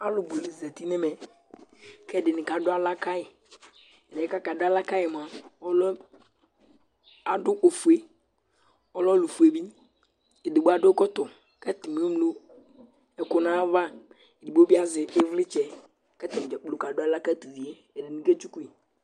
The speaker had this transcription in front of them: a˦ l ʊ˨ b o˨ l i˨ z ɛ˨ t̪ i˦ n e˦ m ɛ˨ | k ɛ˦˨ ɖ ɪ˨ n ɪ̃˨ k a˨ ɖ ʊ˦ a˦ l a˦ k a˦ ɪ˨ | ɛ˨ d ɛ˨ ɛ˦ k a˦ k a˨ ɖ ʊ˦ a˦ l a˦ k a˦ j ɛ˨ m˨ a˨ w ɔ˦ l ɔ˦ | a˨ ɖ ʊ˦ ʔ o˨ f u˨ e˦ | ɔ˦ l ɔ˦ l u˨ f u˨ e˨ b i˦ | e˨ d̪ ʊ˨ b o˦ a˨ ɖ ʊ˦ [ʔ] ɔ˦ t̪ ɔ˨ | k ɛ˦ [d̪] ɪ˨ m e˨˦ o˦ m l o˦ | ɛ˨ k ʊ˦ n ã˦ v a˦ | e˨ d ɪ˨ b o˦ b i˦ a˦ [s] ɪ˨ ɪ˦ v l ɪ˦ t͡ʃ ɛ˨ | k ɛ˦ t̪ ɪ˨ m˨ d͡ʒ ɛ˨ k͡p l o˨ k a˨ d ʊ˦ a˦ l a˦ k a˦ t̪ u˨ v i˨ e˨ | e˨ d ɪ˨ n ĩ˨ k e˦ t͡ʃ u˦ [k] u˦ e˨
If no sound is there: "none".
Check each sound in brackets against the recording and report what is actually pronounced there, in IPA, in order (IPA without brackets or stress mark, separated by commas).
k, t̪, z, k